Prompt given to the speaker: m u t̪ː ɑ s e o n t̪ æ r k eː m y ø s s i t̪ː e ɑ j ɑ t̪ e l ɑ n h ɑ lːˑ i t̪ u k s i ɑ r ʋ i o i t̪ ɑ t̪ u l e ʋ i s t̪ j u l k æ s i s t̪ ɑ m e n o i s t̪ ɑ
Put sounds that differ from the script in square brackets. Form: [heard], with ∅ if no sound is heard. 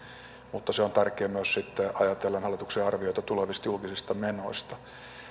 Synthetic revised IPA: m u t̪ː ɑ s e o n t̪ æ r k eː m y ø s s i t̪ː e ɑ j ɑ t̪ e [lː] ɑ n h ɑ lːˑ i t̪ u k s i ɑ r ʋ i o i t̪ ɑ t̪ u l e ʋ i s t̪ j u l k [i] s i s t̪ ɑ m e n o i s t̪ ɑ